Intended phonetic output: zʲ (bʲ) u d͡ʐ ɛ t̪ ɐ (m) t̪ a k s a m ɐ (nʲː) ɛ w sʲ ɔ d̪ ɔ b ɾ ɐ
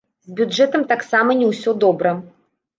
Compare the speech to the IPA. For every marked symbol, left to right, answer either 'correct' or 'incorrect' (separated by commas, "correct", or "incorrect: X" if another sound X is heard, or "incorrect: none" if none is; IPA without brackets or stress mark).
correct, correct, incorrect: nʲ